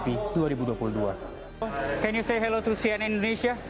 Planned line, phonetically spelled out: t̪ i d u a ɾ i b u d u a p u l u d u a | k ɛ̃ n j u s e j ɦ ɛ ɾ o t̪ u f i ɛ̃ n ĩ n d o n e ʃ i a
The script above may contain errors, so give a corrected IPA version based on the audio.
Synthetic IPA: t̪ i d u a ɾ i b u d u a p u l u d u a | k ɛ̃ n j u s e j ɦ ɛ l o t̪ u s i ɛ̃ n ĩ n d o n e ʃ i a